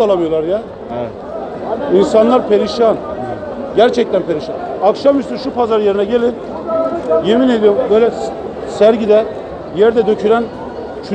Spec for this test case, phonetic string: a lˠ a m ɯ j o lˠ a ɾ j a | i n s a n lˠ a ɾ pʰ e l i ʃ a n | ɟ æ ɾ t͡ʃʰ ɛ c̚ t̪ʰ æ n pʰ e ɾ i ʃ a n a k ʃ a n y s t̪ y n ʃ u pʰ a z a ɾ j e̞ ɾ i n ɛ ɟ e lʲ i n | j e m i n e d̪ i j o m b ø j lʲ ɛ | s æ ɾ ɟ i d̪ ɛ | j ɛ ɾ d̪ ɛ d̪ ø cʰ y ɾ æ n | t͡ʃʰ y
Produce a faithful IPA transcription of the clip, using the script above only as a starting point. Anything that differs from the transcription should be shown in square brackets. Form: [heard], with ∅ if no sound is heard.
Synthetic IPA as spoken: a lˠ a m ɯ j o lˠ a ɾ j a | i n s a n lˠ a ɾ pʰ e [ɾ] i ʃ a n | ɟ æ ɾ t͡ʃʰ ɛ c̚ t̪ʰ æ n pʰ e ɾ i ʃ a n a k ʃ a [m] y s t̪ y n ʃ u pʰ a z a ɾ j e̞ ɾ i n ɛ ɟ e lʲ i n | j e m i n e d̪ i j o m b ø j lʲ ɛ | s æ ɾ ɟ i d̪ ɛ | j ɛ ɾ d̪ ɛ d̪ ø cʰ y ɾ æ n | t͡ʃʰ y

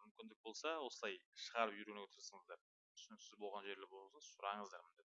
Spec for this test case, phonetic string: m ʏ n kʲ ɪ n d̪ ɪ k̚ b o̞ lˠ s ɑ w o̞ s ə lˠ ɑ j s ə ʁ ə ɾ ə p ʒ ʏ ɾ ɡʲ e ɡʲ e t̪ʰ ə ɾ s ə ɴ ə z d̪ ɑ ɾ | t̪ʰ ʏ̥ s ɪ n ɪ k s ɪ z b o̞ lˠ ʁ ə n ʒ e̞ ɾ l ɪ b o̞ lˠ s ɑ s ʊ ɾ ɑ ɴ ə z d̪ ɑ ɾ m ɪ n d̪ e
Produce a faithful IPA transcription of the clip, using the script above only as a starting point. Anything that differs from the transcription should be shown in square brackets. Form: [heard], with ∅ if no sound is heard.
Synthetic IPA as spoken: m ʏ [m] kʲ ɪ n d̪ ɪ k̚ b o̞ lˠ s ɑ w o̞ s ə lˠ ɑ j [ʃ] ə ʁ [ɑ] ɾ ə p ʒ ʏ ɾ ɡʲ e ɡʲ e t̪ʰ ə ɾ s ə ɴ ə z d̪ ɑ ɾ | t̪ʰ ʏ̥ s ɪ n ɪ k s ɪ z b o̞ lˠ ʁ [ɑ] n ʒ e̞ ɾ l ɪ b o̞ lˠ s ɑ s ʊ ɾ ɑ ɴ ə z d̪ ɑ ɾ m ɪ n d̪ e

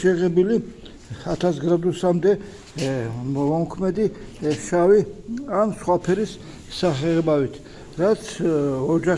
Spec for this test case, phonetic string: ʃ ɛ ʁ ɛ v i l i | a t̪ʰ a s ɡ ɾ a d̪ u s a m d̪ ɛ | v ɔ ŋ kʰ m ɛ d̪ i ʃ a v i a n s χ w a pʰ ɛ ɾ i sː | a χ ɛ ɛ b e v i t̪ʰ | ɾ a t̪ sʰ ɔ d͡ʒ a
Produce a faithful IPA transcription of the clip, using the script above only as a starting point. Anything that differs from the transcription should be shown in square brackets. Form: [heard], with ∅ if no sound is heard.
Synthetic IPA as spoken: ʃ ɛ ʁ ɛ [b] i l i | a t̪ʰ a s ɡ ɾ a d̪ u s a m d̪ ɛ | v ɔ [m] kʰ m ɛ d̪ i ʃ a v i a n s χ w a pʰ ɛ ɾ i sː | a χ ɛ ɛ b [a] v i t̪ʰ | ɾ a t̪ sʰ ɔ d͡ʒ a

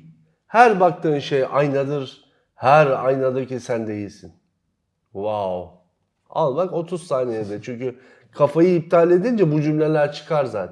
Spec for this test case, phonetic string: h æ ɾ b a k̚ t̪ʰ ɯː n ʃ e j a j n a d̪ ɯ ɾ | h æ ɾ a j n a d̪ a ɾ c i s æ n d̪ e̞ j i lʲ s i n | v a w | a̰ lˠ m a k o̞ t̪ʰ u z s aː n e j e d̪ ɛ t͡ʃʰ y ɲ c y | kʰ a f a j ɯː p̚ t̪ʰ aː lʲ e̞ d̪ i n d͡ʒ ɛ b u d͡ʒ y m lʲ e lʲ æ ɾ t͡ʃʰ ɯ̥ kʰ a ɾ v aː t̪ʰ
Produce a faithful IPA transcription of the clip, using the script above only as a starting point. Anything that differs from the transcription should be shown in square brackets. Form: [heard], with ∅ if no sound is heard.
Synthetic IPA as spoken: h æ ɾ b a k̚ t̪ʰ ɯː n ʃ e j a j n a d̪ ɯ ɾ | h æ ɾ a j n a d̪ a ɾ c i s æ n d̪ e̞ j i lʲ s i n | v a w | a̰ lˠ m a k o̞ t̪ʰ u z s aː n e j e d̪ ɛ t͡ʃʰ y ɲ c y | kʰ a f a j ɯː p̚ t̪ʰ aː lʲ e̞ d̪ i n d͡ʒ ɛ b u d͡ʒ y m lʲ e lʲ æ ɾ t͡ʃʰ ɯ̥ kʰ a ɾ [z] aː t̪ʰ

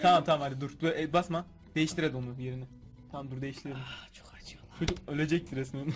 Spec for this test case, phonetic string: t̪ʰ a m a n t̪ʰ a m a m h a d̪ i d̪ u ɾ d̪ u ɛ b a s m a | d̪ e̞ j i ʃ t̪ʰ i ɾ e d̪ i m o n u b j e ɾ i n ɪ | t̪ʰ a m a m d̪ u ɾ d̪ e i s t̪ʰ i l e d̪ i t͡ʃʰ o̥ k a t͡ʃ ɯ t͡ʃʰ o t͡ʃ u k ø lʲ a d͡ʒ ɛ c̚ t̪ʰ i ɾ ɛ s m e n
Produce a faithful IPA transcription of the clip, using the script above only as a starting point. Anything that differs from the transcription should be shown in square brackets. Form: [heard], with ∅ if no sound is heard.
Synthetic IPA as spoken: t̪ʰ a m a [m] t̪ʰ a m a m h a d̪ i d̪ u ɾ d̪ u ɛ b a s m a | d̪ e̞ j i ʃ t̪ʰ i ɾ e d̪ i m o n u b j e ɾ i n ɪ | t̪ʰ a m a m d̪ u ɾ d̪ e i [ʃ] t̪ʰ i [ɾ] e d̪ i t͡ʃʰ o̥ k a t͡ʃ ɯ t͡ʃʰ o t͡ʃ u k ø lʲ [e] d͡ʒ ɛ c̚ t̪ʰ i ɾ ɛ s m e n

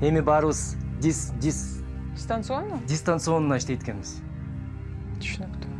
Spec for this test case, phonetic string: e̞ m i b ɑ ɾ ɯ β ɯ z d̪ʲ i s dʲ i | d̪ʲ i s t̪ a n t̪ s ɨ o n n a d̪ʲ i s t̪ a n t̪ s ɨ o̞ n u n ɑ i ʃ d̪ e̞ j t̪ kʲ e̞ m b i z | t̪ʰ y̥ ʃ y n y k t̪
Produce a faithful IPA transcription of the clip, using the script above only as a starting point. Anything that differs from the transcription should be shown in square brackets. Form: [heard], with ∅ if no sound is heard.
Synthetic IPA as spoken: e̞ m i b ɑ ɾ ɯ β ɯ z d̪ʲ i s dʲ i | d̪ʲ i s t̪ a n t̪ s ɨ o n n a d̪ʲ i s t̪ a n t̪ s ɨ o̞ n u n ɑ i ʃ [t̪] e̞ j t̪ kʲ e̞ [n] b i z | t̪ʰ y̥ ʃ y n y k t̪

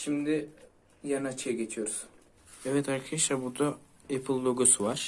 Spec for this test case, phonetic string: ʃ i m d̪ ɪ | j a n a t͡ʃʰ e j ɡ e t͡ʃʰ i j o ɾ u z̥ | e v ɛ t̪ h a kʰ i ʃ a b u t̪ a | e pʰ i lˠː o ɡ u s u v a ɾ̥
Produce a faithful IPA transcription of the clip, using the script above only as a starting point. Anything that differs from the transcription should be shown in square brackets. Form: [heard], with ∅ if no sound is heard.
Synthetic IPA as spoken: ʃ i m d̪ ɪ | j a n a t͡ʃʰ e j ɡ e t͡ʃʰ i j o ɾ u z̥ | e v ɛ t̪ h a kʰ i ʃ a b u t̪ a | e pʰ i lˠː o ɡ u s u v a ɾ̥

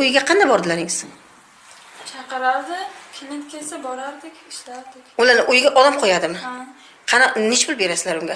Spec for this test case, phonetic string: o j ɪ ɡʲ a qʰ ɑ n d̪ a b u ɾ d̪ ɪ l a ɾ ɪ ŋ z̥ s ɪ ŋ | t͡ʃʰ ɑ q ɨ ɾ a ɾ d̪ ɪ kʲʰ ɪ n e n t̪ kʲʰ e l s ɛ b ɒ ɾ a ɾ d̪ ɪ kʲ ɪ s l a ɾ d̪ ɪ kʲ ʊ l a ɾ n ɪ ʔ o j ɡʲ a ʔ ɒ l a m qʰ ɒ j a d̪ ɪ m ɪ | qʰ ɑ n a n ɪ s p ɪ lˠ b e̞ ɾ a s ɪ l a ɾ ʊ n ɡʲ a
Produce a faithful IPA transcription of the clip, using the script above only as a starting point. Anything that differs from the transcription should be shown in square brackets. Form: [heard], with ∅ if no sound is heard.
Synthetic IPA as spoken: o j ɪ ɡʲ a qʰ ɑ n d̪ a b [ɒ] ɾ d̪ ɪ l a ɾ ɪ ŋ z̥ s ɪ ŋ | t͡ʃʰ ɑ q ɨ ɾ a ɾ d̪ ɪ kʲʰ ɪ n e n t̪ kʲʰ e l s [a] b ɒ ɾ a ɾ d̪ ɪ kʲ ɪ [ʃ] l a ɾ d̪ ɪ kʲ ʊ l a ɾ n ɪ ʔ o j ɡʲ a ʔ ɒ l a m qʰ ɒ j a d̪ ɪ m ɪ | qʰ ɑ n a n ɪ [ʃ] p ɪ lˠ b e̞ ɾ a s ɪ l a ɾ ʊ [ŋ] ɡʲ a

